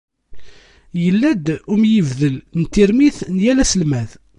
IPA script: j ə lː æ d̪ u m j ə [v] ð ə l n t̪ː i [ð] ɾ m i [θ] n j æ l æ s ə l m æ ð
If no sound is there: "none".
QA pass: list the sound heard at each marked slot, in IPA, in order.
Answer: v, none, θ

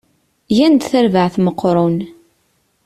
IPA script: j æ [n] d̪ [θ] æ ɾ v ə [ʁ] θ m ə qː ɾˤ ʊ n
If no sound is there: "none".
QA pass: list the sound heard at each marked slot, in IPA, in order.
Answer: n, θ, ʕ

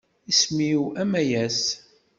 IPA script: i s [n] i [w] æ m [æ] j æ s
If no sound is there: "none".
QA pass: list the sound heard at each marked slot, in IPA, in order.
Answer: m, w, æ

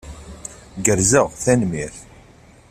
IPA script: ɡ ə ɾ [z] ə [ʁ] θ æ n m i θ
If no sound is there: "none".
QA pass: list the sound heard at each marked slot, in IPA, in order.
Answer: z, ʁ

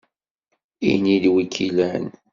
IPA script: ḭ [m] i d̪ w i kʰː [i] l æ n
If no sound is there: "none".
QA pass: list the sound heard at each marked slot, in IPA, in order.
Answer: n, i

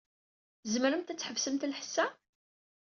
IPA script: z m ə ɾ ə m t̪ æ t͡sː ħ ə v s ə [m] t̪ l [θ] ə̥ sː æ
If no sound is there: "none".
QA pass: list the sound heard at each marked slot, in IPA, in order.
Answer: m, ħ

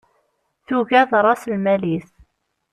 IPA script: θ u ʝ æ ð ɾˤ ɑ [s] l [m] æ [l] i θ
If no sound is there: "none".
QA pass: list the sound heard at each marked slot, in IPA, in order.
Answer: s, m, l

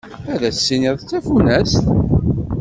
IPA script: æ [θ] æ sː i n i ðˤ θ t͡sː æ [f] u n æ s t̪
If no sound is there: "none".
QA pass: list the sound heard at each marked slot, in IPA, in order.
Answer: ð, f

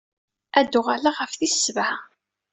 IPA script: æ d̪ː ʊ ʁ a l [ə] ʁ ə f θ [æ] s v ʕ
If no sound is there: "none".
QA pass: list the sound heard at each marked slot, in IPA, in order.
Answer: a, i

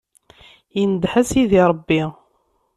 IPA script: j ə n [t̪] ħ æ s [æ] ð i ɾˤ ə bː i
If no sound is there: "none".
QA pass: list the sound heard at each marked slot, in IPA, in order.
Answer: d̪, i

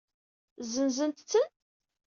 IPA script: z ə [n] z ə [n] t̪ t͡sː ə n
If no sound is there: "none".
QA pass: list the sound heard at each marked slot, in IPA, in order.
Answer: n, n

